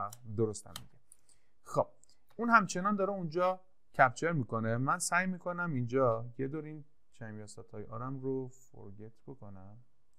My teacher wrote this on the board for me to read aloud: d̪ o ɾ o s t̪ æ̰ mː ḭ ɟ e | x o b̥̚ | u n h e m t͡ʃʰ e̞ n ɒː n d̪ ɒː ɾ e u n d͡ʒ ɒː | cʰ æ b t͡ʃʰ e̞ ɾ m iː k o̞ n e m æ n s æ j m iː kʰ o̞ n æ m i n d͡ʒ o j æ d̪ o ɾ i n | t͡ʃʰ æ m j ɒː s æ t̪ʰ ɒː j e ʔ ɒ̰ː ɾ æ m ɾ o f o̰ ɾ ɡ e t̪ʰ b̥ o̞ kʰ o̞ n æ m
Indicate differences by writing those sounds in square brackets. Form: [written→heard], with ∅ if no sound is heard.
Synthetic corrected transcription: d̪ o ɾ o s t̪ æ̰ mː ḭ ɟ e | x o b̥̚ | u n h [e→æ] m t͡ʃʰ e̞ n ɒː n d̪ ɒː ɾ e u n d͡ʒ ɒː | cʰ æ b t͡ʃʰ e̞ ɾ m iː k o̞ n e m æ n s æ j m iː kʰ o̞ n æ m i n d͡ʒ [o→ɒ] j [æ→e] d̪ o ɾ i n | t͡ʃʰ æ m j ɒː s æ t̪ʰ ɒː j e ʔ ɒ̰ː ɾ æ m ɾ o f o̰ ɾ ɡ e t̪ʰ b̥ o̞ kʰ o̞ n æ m